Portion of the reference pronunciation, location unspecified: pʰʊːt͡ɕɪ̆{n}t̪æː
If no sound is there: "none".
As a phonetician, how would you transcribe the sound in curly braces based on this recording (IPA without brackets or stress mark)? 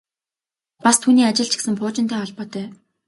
n